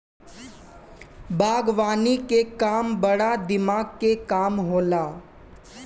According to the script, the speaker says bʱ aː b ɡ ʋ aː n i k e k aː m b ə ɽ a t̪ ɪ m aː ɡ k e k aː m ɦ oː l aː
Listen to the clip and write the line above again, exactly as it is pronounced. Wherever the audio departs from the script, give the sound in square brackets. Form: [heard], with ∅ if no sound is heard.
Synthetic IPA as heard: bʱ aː [∅] ɡ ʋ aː n i k e k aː m b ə ɽ a [d̪] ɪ m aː ɡ k e k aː m ɦ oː l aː